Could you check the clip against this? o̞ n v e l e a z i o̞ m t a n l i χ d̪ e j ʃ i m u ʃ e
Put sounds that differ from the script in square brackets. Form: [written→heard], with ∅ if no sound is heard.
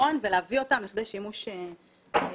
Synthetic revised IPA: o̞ n v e l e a [z→v] i o̞ [m→∅] t a [n→m] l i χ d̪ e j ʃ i m u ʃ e